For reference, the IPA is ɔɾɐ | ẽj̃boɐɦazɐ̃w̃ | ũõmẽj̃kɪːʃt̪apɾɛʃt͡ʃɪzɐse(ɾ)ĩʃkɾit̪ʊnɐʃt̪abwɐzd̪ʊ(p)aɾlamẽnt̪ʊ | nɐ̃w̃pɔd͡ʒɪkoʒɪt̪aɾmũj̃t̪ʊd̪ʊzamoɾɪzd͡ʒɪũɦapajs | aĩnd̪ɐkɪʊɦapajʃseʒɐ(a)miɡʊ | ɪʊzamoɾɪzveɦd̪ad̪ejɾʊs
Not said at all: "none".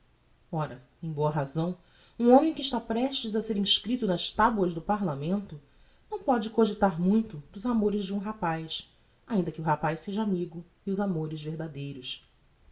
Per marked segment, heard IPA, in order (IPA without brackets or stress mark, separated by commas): ɾ, p, a